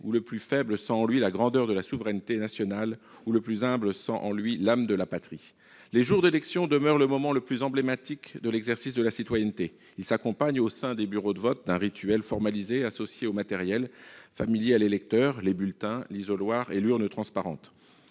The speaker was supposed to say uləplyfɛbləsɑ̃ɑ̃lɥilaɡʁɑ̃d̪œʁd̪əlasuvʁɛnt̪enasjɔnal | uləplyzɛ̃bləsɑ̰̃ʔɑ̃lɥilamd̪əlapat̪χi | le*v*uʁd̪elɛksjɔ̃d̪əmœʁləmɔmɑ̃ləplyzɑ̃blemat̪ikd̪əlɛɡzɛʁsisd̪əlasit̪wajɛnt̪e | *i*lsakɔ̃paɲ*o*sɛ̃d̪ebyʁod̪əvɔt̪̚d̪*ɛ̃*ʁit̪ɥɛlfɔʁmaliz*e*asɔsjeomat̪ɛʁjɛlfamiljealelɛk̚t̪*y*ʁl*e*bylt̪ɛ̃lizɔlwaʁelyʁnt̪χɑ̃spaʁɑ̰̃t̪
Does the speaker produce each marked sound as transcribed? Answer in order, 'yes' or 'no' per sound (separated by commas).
no, yes, yes, yes, yes, no, yes